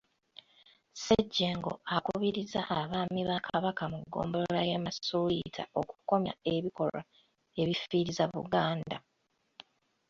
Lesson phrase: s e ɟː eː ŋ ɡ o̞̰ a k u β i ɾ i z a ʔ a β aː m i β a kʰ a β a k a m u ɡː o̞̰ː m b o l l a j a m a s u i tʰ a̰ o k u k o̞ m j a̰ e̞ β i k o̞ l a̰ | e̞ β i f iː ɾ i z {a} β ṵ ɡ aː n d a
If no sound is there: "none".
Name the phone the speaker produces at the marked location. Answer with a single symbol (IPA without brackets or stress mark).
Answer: a